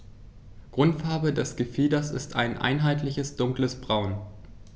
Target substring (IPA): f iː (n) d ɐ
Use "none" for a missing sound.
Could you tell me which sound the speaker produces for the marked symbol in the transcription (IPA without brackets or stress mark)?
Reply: none